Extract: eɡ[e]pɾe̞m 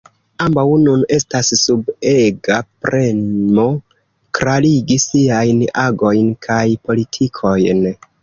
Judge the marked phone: incorrect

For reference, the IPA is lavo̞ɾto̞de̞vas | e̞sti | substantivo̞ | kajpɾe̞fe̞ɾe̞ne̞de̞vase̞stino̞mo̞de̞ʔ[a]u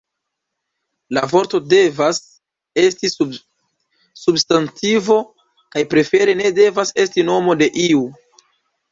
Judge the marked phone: incorrect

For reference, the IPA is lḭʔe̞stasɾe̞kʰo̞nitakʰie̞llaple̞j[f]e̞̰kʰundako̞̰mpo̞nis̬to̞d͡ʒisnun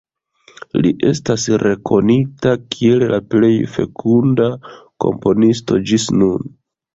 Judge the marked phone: correct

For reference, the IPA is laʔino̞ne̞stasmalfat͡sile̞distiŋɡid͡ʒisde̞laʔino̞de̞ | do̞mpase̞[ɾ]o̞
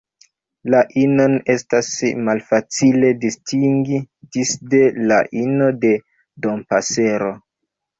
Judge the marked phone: correct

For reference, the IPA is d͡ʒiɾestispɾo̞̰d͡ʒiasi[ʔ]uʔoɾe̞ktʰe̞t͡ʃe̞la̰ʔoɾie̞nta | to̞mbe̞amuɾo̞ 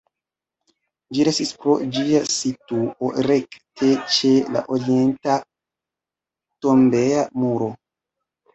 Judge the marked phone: incorrect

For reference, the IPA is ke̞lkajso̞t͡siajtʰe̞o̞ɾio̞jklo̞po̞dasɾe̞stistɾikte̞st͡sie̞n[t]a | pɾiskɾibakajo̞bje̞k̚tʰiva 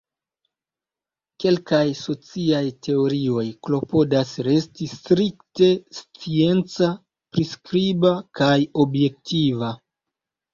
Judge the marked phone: incorrect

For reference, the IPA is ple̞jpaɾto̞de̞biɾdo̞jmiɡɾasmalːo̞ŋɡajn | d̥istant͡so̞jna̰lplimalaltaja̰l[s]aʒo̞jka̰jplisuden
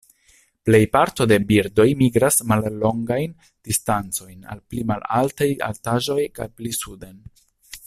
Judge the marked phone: incorrect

